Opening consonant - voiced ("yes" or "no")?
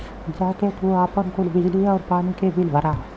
yes